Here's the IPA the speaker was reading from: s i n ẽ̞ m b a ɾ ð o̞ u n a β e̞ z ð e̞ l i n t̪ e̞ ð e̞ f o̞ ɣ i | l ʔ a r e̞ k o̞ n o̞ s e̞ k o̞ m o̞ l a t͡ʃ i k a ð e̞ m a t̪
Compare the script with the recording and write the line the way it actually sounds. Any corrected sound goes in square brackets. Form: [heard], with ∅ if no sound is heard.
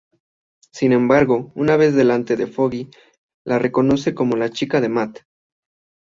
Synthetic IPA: s i n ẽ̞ m b a ɾ [ɣ] o̞ u n a β e̞ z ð e̞ l [a] n t̪ e̞ ð e̞ f o̞ ɣ i | l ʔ a r e̞ k o̞ n o̞ s e̞ k o̞ m o̞ l a t͡ʃ i k a ð e̞ m a t̪